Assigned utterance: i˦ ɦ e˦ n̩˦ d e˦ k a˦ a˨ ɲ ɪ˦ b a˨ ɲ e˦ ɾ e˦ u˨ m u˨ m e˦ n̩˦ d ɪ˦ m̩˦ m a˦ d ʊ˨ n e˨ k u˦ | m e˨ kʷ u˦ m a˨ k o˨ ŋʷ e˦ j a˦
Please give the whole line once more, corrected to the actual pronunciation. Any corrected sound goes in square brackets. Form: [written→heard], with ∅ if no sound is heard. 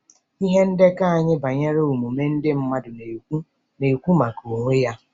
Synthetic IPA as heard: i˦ ɦ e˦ n̩˦ d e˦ k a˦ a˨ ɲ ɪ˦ b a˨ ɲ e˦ ɾ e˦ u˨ m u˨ m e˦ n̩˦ d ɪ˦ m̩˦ m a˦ d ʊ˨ n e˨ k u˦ | [m→n] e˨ kʷ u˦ m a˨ k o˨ ŋʷ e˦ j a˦